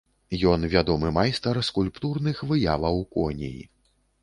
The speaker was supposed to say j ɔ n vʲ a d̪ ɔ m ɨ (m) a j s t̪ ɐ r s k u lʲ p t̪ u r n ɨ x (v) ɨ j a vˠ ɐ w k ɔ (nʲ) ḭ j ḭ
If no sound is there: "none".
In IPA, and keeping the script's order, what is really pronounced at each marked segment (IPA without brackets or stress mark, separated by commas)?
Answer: m, v, nʲ